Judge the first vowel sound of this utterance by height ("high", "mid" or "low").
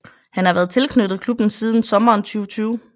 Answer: low